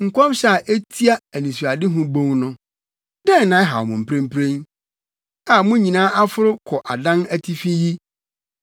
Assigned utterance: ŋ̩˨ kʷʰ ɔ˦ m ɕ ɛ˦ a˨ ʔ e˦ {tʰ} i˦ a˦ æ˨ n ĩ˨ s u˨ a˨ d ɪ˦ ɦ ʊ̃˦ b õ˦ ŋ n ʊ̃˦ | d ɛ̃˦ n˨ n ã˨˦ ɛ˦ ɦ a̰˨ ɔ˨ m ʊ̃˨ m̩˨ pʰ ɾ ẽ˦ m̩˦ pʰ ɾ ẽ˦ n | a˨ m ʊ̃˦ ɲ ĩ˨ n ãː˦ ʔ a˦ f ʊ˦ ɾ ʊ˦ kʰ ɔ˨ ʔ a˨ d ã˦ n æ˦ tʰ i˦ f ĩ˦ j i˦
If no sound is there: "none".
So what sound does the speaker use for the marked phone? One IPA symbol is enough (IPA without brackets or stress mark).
tʰ